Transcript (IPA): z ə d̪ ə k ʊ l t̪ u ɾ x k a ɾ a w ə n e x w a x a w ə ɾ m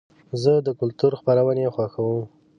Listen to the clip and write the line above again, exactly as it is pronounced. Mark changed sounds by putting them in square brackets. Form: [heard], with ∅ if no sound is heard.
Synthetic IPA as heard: z ə d̪ ə k ʊ l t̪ u ɾ x [p] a ɾ a w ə n e x w a x a w ə [∅] m